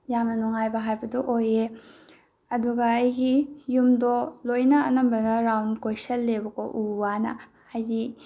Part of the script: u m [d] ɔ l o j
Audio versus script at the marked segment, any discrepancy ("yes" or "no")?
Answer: no